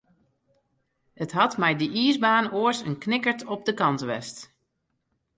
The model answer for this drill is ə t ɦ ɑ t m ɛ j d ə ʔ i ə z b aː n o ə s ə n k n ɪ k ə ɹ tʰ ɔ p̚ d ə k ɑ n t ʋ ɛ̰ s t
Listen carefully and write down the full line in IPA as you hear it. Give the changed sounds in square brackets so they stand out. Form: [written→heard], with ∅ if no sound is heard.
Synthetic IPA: ə t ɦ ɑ t m ɛ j d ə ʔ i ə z b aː n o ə s ə n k n ɪ k ə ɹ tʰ ɔ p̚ d ə k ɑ n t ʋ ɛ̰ s t